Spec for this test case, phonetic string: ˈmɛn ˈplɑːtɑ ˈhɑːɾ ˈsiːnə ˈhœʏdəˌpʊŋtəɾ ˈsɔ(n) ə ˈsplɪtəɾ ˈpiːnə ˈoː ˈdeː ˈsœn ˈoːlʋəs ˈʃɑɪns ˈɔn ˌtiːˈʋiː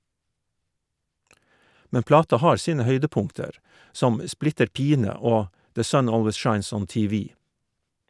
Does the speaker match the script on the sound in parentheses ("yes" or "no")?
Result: no